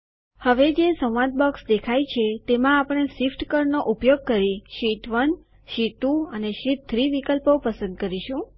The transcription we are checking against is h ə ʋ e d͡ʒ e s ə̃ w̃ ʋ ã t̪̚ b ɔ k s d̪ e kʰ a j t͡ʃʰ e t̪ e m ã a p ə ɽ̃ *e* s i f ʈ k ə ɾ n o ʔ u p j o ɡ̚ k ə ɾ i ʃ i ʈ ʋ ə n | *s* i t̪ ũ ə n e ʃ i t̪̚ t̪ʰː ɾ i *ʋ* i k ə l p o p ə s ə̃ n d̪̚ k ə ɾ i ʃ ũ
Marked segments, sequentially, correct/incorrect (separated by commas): correct, incorrect, correct